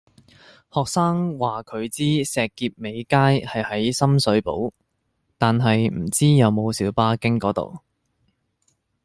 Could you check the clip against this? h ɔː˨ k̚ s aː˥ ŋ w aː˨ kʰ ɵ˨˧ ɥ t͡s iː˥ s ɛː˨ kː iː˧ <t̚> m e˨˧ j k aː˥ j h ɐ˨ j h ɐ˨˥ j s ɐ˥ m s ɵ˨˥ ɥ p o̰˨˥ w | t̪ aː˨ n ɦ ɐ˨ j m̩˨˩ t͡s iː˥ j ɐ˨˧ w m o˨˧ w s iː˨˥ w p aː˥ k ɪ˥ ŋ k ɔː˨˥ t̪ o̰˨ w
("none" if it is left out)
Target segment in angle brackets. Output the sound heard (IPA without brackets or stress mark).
p̚